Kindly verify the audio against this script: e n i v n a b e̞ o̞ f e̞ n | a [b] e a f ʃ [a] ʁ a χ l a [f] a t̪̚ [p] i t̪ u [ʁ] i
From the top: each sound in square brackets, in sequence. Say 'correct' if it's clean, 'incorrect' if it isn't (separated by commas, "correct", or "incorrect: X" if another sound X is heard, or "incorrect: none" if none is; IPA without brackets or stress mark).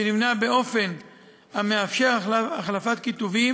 incorrect: m, incorrect: e, correct, incorrect: k, incorrect: v